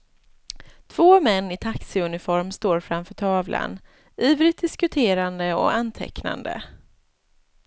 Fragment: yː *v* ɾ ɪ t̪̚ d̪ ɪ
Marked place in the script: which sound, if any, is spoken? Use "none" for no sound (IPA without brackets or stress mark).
v